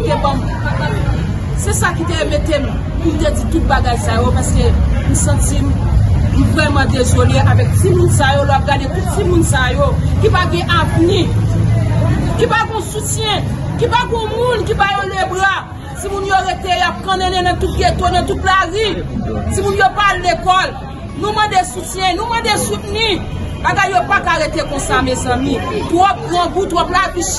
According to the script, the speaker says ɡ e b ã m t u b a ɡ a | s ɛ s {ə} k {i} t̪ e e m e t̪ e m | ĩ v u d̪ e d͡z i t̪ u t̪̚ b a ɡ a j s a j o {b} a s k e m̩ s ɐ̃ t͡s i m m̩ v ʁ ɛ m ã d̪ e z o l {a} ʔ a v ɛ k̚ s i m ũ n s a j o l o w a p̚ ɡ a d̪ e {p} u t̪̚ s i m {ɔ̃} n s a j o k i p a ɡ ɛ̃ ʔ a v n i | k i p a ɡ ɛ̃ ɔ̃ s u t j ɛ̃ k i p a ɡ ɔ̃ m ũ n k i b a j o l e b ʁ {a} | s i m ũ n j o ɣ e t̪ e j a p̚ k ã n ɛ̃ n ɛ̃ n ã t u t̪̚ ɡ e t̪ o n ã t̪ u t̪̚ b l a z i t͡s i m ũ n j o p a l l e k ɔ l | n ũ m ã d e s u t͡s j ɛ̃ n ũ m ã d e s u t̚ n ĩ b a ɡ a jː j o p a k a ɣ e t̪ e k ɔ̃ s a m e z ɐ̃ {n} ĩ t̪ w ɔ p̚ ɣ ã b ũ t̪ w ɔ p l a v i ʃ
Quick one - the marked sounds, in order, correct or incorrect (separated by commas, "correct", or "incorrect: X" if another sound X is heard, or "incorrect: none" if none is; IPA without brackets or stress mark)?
incorrect: a, correct, incorrect: p, incorrect: e, incorrect: t, incorrect: ũ, correct, incorrect: m